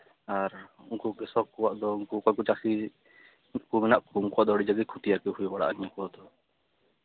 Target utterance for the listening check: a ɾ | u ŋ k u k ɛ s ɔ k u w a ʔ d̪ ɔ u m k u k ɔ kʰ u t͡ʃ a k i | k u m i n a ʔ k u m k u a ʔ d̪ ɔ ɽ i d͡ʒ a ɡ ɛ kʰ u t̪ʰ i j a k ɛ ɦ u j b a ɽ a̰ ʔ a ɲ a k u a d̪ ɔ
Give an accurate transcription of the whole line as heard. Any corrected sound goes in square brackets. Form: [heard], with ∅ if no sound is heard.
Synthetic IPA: a ɾ | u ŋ k u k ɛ s ɔ k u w a ʔ d̪ ɔ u [ŋ] k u k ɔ [k] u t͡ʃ a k i | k u m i n a ʔ k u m k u a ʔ d̪ ɔ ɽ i d͡ʒ a ɡ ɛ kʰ u [t̪] i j a k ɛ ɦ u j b a ɽ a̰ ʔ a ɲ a k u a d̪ ɔ